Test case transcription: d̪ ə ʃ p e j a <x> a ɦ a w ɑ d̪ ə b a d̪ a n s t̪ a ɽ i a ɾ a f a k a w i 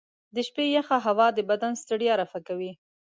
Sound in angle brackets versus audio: correct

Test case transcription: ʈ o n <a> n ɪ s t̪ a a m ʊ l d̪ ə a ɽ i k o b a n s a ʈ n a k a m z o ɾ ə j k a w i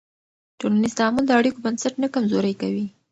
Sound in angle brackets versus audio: correct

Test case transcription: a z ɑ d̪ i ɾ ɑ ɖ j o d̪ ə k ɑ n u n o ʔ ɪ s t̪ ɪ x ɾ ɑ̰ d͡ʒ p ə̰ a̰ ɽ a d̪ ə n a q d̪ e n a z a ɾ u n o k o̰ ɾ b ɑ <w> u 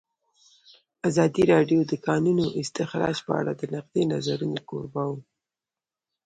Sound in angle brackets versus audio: correct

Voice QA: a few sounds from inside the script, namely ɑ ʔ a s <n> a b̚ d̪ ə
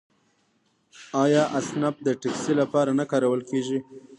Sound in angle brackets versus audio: correct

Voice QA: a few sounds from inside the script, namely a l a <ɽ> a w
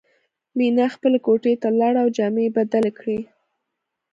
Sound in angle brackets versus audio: correct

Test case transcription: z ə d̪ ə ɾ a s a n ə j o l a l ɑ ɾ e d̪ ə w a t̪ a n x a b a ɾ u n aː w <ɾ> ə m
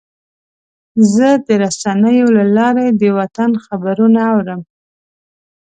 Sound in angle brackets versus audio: correct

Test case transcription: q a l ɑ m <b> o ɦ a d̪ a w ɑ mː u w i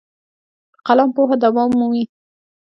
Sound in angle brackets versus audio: incorrect: p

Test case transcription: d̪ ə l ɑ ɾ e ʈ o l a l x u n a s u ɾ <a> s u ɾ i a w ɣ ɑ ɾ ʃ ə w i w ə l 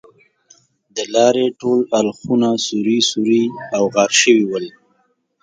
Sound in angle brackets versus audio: incorrect: i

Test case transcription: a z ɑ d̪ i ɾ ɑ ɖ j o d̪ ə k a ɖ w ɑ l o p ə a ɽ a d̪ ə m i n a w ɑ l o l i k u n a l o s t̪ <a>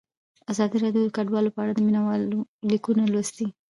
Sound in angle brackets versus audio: incorrect: i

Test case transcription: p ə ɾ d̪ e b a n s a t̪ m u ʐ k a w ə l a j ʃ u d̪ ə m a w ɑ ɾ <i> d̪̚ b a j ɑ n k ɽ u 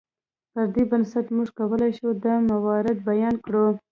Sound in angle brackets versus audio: incorrect: ɪ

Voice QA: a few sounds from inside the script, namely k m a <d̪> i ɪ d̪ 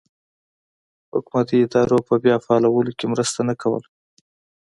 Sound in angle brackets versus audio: incorrect: t̪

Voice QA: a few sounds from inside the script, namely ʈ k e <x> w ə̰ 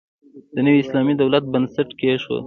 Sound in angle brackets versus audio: incorrect: ʃ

